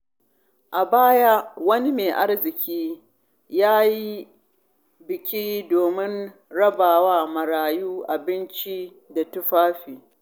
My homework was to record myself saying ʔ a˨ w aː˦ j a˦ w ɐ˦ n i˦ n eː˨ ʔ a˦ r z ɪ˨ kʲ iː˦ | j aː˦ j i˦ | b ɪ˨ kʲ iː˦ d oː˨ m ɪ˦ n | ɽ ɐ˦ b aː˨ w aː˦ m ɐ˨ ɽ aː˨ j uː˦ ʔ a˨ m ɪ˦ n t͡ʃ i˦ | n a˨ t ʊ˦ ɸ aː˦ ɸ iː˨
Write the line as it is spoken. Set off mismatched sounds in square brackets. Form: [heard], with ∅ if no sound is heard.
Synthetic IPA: ʔ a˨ [b] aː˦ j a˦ w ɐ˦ n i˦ [m] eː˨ ʔ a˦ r z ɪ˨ kʲ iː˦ | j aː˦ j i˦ | b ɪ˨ kʲ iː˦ d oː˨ m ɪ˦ n | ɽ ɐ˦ b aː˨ w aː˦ m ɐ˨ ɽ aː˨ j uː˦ ʔ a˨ [b] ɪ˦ n t͡ʃ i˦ | [d] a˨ t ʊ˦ ɸ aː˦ ɸ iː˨